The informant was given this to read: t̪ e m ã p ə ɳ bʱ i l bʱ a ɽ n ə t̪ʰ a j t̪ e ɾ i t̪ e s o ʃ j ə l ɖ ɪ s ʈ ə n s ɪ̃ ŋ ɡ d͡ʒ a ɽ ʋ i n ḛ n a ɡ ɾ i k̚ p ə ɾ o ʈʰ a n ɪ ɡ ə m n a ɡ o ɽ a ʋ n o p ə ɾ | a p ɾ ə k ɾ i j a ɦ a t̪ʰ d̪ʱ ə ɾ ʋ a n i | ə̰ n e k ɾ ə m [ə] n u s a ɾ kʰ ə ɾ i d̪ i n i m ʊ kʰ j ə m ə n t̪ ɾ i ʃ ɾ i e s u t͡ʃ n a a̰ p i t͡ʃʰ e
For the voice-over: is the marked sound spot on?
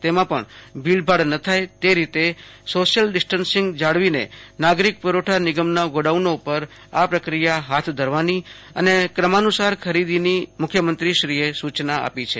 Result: no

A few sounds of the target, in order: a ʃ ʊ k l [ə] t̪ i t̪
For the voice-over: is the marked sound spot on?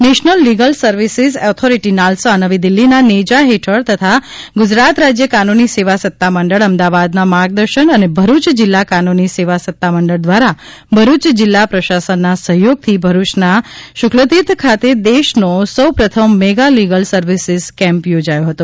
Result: yes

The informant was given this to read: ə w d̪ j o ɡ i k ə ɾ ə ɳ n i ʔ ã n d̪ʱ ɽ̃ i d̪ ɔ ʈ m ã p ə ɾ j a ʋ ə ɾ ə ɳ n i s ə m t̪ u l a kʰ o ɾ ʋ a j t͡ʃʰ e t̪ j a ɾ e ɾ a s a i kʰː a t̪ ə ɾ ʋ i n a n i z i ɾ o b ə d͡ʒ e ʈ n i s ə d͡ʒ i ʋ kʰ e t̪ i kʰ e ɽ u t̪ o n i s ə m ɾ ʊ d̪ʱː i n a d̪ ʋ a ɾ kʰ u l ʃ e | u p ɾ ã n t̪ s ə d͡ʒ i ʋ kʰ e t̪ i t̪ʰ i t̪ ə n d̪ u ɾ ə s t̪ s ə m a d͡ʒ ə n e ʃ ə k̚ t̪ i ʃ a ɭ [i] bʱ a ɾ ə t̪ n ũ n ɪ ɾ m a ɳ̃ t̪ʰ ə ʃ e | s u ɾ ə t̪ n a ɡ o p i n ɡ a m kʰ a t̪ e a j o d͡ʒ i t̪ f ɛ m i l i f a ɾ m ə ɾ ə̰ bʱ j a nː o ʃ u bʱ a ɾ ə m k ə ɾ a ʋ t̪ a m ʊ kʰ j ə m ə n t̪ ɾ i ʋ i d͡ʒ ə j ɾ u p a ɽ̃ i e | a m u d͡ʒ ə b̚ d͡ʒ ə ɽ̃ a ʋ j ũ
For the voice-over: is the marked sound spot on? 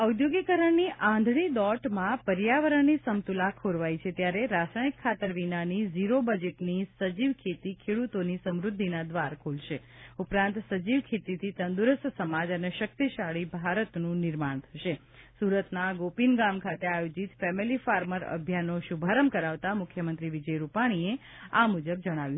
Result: yes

